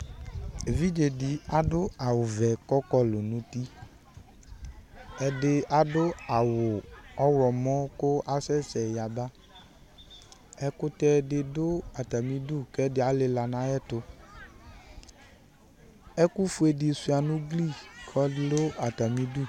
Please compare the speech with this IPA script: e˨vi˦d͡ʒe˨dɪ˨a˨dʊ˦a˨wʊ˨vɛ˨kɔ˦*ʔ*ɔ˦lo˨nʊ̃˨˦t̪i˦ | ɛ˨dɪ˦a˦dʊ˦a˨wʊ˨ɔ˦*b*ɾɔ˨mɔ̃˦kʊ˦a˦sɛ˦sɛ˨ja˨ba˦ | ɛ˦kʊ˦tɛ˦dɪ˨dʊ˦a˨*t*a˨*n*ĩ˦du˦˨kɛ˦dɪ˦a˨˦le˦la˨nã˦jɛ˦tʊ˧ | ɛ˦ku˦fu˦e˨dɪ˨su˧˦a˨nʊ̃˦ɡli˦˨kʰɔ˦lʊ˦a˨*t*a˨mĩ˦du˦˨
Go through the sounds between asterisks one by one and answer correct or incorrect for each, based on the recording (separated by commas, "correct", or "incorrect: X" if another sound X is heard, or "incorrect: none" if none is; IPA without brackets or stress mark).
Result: incorrect: k, incorrect: w, correct, incorrect: m, correct